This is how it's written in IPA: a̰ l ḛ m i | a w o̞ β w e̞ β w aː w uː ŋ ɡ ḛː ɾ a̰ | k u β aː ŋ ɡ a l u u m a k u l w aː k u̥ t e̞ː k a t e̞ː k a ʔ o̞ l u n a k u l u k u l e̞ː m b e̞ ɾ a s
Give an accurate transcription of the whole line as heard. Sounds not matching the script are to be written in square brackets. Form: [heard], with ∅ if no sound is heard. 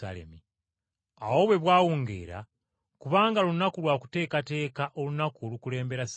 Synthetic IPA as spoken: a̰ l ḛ m i | a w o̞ β w e̞ β w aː w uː ŋ ɡ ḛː ɾ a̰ | k u β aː ŋ ɡ a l u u [n] a k u l w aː k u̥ t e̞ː k a t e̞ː k a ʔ o̞ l u n a k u l u k u l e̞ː m b e̞ ɾ a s